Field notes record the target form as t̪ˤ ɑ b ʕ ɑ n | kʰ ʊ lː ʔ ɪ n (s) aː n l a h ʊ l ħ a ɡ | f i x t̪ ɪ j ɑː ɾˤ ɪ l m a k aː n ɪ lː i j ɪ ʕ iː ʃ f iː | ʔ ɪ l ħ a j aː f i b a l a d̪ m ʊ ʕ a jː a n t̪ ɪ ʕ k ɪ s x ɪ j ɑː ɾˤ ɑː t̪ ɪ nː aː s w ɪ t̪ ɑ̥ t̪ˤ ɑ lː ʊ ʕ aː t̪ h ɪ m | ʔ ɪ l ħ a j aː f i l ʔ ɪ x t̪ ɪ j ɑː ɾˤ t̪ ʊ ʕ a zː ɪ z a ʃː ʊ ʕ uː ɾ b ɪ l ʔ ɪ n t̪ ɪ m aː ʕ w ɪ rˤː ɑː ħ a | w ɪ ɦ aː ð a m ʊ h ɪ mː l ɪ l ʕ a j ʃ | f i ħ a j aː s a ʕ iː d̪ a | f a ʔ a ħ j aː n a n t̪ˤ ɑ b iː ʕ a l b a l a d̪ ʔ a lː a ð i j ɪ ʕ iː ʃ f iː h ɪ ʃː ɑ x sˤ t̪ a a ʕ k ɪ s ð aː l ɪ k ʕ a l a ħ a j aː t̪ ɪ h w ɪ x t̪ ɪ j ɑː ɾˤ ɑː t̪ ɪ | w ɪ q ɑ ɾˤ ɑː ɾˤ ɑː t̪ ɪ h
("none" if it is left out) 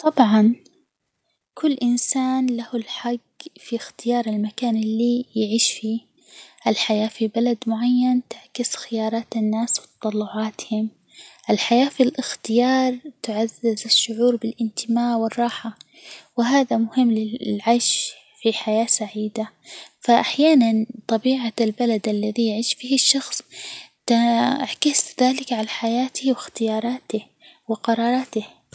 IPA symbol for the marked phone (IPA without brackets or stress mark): s